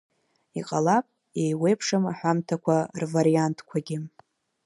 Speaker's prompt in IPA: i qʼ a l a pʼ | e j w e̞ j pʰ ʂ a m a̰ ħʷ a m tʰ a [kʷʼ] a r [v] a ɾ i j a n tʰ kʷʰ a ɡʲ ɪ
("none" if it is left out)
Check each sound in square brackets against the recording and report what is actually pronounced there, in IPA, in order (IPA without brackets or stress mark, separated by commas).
kʷ, v